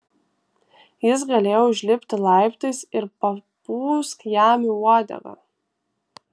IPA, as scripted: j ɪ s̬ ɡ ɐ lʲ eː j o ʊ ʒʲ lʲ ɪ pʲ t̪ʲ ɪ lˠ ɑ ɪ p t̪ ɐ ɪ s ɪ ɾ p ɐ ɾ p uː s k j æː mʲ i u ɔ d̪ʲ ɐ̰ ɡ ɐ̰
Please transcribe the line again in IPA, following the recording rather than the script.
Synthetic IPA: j ɪ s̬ ɡ ɐ lʲ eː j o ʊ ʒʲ lʲ ɪ pʲ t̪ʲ ɪ lˠ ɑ ɪ p t̪ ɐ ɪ s ɪ ɾ p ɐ p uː s k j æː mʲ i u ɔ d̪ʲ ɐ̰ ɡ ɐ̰